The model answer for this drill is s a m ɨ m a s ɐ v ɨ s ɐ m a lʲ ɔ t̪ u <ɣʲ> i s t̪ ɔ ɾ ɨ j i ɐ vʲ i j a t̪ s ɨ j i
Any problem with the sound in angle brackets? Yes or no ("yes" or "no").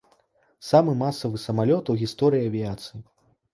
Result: no